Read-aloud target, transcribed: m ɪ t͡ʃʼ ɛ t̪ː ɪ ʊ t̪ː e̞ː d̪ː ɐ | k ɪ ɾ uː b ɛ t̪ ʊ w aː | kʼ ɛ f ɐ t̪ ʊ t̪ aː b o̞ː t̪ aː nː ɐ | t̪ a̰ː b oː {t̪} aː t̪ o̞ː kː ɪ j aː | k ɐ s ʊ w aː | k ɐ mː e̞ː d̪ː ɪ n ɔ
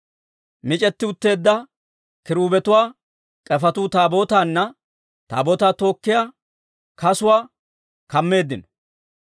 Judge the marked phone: correct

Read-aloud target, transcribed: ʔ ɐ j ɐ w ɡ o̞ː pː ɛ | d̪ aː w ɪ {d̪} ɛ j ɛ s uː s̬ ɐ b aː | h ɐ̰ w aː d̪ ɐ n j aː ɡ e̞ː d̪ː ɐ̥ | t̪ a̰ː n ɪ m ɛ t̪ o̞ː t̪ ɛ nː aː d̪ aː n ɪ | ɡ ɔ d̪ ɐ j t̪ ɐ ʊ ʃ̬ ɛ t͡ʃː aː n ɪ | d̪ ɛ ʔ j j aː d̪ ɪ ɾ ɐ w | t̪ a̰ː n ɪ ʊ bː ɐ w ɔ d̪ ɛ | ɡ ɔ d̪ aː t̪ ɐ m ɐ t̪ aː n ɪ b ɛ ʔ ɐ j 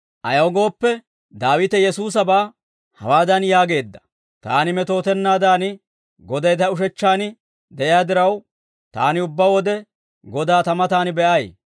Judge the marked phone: incorrect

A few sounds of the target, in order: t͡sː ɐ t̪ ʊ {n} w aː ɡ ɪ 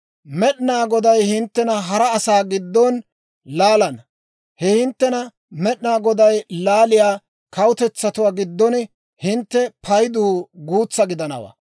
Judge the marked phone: incorrect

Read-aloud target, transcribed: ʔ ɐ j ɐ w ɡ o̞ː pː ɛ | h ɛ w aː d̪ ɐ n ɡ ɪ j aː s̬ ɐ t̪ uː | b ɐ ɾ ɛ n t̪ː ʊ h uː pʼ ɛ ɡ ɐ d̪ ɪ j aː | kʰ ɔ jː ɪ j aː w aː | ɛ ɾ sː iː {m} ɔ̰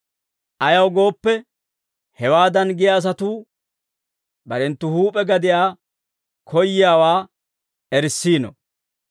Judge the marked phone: incorrect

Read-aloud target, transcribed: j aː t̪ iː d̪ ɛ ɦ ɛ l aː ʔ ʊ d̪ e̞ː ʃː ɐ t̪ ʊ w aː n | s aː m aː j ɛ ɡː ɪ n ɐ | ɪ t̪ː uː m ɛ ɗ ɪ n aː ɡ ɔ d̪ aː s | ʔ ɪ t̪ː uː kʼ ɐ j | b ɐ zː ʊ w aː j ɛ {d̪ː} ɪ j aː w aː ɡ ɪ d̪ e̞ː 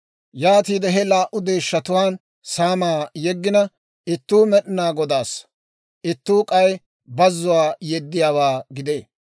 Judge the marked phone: correct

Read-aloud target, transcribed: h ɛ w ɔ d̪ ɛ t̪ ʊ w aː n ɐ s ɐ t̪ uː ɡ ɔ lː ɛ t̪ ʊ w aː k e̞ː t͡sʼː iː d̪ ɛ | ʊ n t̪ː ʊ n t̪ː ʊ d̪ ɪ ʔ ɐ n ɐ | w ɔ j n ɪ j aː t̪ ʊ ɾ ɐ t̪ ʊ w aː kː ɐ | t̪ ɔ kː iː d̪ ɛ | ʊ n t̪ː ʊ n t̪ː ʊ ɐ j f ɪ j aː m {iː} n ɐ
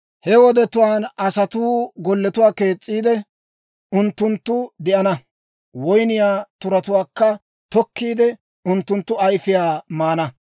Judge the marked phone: incorrect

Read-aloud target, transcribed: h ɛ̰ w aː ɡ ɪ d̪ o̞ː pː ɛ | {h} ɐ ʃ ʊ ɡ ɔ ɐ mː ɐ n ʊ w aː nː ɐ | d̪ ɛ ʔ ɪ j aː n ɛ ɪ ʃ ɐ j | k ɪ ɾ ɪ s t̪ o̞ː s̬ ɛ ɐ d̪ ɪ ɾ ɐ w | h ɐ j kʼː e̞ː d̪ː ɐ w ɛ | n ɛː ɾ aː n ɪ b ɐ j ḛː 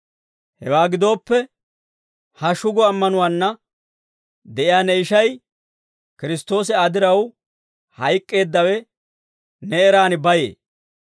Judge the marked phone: correct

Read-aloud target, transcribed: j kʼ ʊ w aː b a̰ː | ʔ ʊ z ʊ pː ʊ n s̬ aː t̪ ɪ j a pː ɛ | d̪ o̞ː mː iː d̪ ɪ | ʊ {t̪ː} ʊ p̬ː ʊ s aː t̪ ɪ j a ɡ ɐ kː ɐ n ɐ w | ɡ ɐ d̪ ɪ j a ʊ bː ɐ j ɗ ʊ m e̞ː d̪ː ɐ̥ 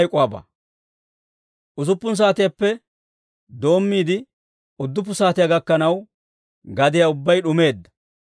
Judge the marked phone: incorrect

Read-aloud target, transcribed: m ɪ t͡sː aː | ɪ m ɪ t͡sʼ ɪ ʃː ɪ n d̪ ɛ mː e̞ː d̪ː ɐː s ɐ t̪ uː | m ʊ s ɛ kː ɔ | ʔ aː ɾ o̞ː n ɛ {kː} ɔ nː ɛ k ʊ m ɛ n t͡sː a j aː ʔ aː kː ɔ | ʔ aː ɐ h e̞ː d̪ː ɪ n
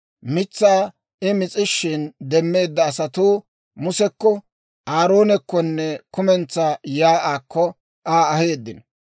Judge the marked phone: correct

